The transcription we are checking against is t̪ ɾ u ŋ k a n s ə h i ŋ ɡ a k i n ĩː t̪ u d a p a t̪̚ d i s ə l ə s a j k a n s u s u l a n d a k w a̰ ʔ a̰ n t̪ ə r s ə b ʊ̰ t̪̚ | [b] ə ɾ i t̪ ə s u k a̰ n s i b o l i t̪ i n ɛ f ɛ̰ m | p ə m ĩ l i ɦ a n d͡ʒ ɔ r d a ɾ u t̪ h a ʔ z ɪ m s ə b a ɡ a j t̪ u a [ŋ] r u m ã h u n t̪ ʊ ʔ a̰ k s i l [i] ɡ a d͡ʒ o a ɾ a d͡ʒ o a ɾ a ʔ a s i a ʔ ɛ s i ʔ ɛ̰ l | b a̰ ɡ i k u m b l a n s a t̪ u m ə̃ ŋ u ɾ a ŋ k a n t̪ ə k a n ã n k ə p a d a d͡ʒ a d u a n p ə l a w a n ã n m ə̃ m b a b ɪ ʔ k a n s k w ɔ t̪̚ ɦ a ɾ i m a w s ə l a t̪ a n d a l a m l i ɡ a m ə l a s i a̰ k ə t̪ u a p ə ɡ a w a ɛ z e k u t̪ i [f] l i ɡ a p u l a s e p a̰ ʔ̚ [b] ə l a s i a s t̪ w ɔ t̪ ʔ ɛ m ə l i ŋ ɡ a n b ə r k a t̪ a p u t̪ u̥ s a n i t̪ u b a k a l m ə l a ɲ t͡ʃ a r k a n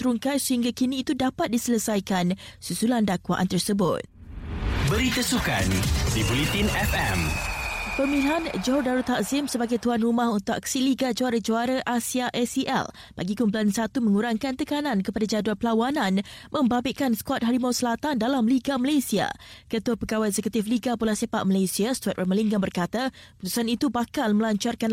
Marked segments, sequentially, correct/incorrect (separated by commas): correct, incorrect, correct, correct, incorrect